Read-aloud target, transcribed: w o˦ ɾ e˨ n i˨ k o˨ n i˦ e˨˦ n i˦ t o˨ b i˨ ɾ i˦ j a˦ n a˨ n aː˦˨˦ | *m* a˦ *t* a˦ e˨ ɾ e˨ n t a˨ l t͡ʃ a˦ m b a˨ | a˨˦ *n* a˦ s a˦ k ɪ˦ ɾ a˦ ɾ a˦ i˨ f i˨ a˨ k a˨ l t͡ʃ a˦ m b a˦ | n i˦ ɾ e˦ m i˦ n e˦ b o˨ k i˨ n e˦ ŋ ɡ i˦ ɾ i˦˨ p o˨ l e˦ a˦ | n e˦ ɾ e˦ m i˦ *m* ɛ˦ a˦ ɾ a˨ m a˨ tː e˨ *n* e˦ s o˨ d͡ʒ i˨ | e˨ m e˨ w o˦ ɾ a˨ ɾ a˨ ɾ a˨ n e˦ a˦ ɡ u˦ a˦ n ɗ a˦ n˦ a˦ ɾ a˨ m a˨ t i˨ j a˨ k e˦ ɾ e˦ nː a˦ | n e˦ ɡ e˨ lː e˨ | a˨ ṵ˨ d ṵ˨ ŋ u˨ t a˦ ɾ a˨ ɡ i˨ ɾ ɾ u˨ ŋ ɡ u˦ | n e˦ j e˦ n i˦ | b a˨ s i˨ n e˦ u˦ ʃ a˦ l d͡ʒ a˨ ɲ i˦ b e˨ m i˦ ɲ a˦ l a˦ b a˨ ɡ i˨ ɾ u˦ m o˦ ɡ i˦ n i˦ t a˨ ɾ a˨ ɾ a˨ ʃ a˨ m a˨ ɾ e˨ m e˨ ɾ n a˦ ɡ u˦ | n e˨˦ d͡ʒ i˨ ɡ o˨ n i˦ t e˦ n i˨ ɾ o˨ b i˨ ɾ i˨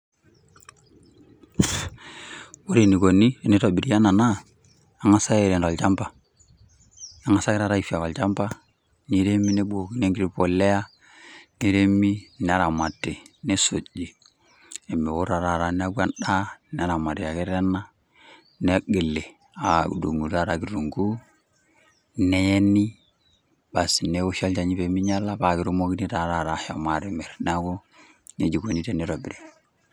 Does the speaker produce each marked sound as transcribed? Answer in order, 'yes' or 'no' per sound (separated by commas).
no, no, no, no, yes